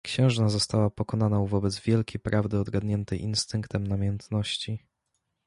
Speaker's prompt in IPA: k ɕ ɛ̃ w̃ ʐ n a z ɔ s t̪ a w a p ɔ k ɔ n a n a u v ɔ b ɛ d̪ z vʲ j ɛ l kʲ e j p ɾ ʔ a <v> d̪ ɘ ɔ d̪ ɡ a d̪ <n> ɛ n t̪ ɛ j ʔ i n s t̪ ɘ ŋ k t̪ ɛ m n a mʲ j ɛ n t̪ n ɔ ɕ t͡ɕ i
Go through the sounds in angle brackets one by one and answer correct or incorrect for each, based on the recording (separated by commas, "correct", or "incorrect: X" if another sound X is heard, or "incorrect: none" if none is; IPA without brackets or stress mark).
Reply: correct, incorrect: ɲ